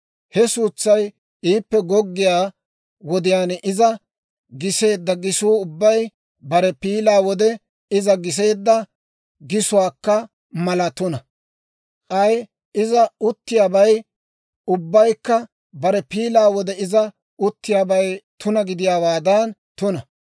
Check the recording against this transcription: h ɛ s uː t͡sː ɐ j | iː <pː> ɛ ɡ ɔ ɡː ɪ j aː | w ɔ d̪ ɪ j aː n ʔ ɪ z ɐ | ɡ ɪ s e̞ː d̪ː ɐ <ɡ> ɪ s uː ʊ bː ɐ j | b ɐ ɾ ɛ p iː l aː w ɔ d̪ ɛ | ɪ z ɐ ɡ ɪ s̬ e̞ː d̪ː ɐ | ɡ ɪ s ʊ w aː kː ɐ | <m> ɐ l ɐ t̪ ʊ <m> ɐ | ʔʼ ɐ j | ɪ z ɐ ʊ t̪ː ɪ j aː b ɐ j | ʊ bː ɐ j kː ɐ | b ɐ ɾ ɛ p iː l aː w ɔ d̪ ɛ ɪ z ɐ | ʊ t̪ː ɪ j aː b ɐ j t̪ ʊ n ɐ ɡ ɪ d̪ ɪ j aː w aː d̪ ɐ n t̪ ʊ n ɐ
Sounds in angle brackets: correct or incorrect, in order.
correct, correct, correct, incorrect: n

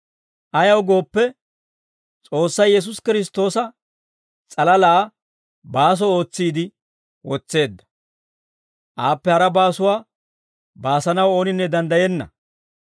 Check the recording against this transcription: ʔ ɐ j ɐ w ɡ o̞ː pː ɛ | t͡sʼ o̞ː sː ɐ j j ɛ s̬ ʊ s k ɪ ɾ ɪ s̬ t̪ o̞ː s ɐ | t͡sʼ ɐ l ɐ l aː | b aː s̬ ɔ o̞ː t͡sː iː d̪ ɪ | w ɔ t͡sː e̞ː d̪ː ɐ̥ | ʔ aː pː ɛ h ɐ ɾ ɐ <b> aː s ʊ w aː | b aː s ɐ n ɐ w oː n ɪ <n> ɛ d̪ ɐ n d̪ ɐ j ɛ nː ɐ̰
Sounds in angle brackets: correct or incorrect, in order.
correct, incorrect: nː

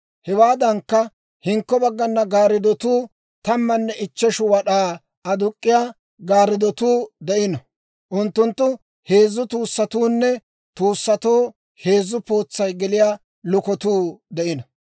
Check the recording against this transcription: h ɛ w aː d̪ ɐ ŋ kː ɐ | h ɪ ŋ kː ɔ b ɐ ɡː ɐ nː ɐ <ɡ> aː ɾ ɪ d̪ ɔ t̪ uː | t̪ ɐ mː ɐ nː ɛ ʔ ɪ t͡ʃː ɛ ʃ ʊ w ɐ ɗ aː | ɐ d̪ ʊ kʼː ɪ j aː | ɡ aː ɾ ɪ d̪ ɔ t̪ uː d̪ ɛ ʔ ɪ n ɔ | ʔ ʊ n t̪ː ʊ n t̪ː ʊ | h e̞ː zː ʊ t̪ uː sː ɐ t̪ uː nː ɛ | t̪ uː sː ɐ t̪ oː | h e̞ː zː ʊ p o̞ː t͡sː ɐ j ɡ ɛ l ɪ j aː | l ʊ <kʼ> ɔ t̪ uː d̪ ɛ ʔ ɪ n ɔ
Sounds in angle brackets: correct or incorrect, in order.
correct, incorrect: k

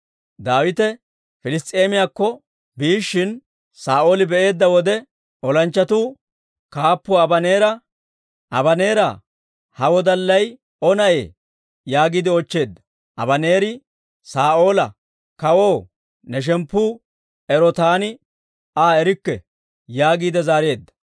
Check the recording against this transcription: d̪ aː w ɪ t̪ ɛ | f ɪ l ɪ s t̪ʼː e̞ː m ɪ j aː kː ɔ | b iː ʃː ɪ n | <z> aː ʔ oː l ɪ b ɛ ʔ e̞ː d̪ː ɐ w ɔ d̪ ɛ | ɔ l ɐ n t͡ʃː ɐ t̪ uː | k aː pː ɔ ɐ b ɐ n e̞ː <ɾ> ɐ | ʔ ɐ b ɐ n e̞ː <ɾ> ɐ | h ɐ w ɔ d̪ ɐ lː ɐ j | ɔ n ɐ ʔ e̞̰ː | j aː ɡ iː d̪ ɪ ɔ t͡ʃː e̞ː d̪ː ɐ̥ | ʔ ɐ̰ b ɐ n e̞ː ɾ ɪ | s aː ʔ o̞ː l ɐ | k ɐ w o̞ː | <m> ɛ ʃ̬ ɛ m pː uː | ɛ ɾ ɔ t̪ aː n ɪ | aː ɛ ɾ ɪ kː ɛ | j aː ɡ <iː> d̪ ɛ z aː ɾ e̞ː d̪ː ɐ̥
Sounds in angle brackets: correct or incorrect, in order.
incorrect: s, correct, correct, incorrect: n, correct

